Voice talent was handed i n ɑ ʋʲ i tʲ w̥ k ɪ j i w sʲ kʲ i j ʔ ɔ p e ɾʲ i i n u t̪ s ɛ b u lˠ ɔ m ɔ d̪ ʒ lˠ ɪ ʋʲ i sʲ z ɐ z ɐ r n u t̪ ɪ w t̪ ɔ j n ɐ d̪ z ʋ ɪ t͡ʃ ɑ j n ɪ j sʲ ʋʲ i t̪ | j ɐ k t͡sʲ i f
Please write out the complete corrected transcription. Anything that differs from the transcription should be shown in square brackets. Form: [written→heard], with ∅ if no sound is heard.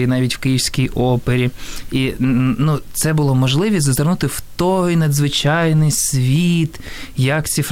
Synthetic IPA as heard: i n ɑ ʋʲ i tʲ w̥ k ɪ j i w sʲ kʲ i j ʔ ɔ p e ɾʲ i i n u t̪ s ɛ b [u→ʊ] lˠ ɔ m ɔ [d̪→∅] ʒ lˠ ɪ ʋʲ i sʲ z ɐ z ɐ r n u t̪ ɪ w t̪ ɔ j n ɐ d̪ z ʋ ɪ t͡ʃ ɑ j n ɪ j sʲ ʋʲ i t̪ | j ɐ k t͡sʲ i f